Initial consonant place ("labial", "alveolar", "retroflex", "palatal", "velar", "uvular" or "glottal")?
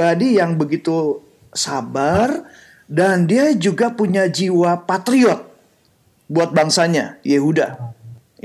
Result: alveolar